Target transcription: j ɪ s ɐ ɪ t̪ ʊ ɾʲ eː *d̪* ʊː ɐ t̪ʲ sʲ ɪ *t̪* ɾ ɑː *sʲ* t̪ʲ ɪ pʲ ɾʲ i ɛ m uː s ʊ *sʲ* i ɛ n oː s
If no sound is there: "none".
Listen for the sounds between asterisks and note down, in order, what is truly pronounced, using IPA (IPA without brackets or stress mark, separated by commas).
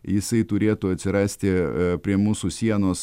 t̪, none, sʲ, sʲ